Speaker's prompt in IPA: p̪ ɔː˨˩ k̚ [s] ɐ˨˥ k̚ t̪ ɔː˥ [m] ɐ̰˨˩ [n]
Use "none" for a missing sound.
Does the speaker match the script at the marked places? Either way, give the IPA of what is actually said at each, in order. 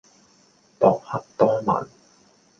h, m, n

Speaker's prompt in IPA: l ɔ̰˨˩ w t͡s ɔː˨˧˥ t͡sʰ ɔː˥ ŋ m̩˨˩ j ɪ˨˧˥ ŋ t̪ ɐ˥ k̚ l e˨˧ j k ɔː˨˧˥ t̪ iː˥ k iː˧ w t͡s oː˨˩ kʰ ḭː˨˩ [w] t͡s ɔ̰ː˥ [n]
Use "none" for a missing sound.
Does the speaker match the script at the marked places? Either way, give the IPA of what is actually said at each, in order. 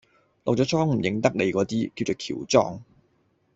w, ŋ

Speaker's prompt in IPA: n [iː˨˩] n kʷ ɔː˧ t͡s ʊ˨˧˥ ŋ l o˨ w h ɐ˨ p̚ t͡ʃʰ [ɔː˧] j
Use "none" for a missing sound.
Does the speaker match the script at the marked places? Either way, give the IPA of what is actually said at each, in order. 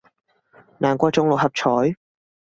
aː˨˩, ɔː˨˥

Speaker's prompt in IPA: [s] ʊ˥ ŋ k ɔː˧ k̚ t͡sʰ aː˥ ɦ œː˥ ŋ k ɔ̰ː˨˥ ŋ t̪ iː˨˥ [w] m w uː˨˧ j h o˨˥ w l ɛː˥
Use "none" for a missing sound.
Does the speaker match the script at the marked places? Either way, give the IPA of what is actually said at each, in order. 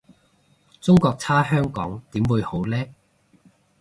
t͡s, none

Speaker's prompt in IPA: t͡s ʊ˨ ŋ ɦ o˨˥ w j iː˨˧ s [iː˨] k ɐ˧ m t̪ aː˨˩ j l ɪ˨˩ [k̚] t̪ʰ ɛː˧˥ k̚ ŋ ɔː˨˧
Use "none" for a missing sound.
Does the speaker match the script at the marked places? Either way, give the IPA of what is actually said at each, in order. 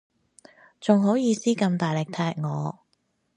iː˥, k̚

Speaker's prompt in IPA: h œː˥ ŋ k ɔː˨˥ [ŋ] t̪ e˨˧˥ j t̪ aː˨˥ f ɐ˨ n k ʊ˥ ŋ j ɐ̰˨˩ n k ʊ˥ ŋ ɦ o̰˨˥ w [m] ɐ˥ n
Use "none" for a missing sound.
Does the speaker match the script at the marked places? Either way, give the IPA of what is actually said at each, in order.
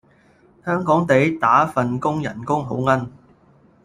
ŋ, ŋ

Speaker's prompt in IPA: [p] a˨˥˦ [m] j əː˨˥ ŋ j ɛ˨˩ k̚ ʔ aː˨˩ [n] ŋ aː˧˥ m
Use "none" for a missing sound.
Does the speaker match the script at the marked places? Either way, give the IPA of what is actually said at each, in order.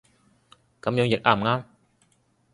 k, m, m

